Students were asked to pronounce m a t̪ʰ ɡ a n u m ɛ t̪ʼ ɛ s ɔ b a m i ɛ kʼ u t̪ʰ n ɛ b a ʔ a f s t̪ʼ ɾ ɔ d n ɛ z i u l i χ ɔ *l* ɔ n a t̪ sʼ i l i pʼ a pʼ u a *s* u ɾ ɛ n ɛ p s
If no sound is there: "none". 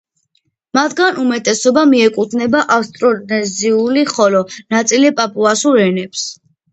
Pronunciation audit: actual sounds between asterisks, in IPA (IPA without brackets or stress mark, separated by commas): l, s